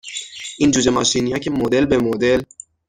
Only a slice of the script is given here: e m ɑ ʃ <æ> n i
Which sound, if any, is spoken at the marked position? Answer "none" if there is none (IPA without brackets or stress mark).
i